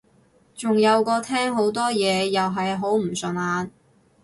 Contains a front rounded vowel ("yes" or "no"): no